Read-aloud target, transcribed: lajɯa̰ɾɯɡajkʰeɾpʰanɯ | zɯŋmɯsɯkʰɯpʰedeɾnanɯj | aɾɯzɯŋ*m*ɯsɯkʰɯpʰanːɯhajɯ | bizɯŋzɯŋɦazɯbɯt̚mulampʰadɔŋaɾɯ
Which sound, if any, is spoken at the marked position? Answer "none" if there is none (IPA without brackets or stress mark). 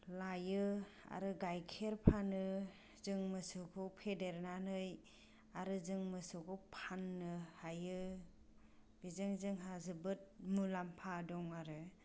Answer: m